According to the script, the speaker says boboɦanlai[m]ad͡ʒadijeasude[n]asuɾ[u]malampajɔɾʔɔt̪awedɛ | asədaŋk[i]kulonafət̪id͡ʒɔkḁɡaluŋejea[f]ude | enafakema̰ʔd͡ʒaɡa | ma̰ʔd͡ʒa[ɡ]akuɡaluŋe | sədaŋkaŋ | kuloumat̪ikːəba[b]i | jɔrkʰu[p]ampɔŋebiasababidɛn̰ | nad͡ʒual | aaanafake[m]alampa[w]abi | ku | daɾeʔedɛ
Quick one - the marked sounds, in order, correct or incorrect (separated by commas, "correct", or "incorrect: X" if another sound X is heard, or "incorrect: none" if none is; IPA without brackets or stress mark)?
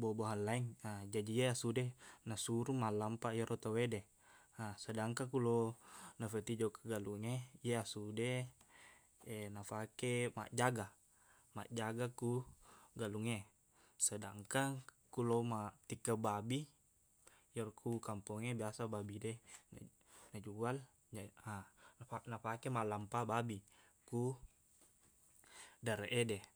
incorrect: ŋ, correct, correct, incorrect: a, incorrect: s, correct, correct, incorrect: k, correct, incorrect: b